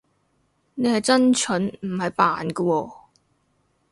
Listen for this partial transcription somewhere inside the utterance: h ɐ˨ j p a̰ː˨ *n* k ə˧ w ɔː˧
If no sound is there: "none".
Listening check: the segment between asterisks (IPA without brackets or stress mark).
n